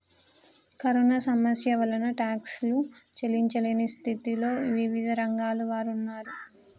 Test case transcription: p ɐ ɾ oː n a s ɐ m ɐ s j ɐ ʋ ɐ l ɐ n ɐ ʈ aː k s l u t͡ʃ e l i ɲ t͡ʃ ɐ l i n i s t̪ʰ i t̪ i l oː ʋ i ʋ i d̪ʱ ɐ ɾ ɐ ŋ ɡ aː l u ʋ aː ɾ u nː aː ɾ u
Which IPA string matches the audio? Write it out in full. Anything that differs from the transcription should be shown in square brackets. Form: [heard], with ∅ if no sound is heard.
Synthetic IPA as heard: [k] ɐ ɾ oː n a s ɐ m ɐ s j ɐ ʋ ɐ l ɐ n ɐ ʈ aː k s l u t͡ʃ e l i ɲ t͡ʃ ɐ l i n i s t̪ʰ i t̪ i l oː ʋ i ʋ i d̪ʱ ɐ ɾ ɐ ŋ ɡ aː l u ʋ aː ɾ u nː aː ɾ u